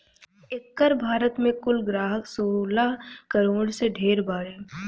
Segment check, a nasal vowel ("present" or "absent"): present